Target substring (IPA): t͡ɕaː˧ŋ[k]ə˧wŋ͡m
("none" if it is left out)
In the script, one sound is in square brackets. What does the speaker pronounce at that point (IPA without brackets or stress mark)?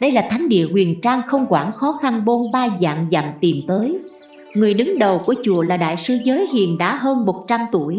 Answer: x